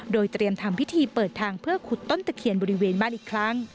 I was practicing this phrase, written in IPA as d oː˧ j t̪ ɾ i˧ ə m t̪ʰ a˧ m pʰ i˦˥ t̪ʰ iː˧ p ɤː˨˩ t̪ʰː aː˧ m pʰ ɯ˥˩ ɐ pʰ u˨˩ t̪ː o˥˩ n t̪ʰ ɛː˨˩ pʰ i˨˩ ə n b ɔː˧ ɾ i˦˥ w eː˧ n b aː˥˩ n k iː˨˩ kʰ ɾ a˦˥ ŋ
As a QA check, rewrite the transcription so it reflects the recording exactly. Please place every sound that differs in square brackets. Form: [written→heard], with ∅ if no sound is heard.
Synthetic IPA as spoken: d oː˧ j t̪ ɾ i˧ ə m t̪ʰ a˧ m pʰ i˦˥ t̪ʰ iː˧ p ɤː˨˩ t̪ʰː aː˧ [m→ŋ] pʰ ɯ˥˩ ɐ [pʰ→kʰ] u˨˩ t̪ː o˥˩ n [t̪ʰ→t̪] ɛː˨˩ [pʰ→kʰ] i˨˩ ə n b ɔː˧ ɾ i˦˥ w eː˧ n b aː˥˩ n [k→ʔ] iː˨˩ kʰ ɾ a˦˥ ŋ